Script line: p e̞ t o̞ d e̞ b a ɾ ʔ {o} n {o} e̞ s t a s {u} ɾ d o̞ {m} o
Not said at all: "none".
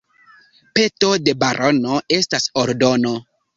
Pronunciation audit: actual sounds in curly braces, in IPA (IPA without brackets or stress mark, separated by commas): o, o, o, n